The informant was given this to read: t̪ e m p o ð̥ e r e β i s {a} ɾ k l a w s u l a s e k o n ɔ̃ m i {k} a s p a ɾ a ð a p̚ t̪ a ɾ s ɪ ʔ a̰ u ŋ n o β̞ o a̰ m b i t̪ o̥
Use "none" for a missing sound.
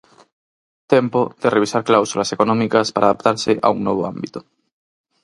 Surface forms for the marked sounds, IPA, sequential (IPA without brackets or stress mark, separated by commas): a, k